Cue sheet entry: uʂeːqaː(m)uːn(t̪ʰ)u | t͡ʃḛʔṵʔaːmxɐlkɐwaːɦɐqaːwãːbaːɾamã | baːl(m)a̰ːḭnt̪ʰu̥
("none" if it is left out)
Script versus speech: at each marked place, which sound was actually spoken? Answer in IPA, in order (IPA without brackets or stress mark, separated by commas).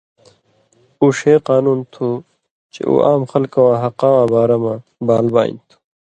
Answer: n, t̪ʰ, b